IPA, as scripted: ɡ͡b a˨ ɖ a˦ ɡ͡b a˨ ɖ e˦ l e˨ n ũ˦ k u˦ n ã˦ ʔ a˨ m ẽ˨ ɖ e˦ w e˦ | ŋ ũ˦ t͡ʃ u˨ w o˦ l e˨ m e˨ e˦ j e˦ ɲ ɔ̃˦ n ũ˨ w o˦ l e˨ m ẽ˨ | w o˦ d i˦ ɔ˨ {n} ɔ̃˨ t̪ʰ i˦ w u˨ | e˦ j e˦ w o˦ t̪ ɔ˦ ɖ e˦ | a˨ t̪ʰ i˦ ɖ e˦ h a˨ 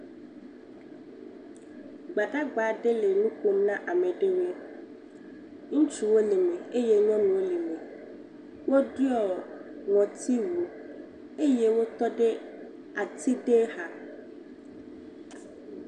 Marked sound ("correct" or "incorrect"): incorrect